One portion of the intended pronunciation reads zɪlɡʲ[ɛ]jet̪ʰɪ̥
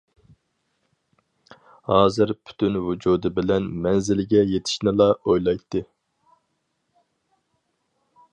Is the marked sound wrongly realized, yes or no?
no